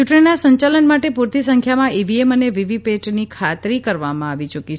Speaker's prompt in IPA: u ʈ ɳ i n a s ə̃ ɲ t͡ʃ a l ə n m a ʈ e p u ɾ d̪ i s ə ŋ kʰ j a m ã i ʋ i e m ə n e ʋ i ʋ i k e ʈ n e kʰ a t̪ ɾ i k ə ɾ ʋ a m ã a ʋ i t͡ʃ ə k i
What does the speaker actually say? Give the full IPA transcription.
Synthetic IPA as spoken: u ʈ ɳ i n a s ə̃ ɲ t͡ʃ a l ə n m a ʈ e p u ɾ t̪ i s ə ŋ kʰ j a m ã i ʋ i e m ə n e ʋ i ʋ i p e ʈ n i kʰ a t̪ ɾ i k ə ɾ ʋ a m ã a ʋ i t͡ʃ ə k i